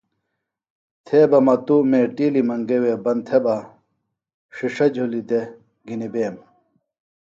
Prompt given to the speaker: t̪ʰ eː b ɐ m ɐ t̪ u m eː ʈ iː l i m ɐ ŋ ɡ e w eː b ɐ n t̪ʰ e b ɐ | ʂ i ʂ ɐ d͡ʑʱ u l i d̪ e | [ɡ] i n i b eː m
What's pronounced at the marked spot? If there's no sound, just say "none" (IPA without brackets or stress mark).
ɡ